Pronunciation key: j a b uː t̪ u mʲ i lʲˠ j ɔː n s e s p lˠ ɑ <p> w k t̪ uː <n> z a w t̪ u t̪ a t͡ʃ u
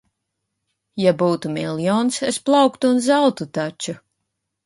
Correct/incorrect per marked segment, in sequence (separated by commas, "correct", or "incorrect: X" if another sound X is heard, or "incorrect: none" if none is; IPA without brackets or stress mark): incorrect: none, correct